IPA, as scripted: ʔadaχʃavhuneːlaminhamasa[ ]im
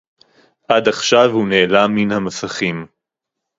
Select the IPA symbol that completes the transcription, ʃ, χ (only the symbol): χ